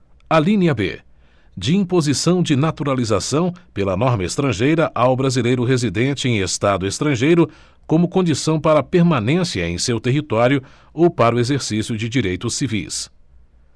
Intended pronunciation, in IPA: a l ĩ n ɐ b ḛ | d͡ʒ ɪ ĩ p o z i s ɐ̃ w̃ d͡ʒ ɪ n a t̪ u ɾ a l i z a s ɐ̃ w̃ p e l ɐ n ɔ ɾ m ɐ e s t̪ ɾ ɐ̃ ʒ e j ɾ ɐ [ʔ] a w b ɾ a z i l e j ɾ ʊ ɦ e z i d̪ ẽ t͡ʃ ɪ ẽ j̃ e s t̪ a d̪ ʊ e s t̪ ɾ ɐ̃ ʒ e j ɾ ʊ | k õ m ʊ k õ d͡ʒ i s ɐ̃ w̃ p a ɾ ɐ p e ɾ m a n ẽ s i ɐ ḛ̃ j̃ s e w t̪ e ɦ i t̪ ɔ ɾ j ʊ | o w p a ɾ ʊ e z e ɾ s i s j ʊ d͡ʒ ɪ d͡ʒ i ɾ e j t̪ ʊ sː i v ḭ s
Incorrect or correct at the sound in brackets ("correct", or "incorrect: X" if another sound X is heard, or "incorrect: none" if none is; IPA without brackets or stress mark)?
correct